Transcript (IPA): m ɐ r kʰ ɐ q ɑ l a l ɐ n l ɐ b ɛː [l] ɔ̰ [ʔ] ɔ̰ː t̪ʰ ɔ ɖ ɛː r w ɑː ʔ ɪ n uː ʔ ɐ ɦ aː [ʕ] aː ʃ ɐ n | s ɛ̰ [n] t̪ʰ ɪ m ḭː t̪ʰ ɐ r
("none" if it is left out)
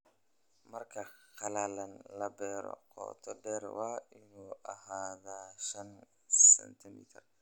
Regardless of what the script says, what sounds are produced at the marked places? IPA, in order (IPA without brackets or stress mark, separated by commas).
ɾ, q, ð, n